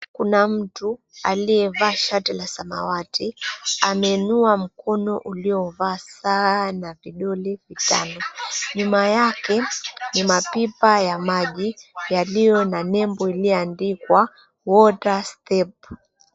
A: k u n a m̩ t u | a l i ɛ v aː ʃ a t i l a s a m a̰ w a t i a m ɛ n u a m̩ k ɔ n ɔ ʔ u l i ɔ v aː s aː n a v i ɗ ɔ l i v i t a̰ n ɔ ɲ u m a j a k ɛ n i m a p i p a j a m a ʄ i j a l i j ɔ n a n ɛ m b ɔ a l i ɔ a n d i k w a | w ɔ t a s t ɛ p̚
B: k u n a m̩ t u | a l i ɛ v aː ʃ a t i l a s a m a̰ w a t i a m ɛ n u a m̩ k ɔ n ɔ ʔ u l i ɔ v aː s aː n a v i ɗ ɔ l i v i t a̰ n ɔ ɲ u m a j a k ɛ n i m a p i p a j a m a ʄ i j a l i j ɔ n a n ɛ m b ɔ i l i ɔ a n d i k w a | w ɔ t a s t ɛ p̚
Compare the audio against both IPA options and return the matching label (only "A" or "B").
B